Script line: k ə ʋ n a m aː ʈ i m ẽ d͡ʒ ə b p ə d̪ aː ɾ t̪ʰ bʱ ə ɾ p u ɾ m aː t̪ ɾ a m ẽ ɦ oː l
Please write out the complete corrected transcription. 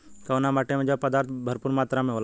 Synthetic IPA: k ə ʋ n a m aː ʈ e m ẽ d͡ʒ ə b p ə d̪ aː ɾ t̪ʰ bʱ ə ɾ p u ɾ m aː t̪ ɾ a m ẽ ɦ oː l